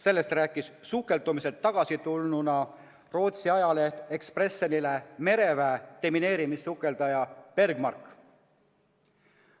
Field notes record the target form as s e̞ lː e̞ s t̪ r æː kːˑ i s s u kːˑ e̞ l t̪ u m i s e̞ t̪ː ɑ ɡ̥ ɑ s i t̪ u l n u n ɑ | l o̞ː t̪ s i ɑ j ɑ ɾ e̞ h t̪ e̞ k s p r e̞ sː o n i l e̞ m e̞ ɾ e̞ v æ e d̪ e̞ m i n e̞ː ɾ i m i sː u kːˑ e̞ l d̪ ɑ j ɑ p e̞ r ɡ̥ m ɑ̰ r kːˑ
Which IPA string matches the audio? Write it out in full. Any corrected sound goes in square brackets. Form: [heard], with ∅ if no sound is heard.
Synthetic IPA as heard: s e̞ lː e̞ s t̪ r æː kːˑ i s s u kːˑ e̞ l t̪ u m i s e̞ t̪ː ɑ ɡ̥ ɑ s i t̪ u l n u n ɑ | [r] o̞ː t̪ s i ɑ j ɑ [l] e̞ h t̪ e̞ k s p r e̞ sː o n i l e̞ m e̞ ɾ e̞ v æ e [t̪] e̞ m i n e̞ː ɾ i m i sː u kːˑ e̞ l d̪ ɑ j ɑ p e̞ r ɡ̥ m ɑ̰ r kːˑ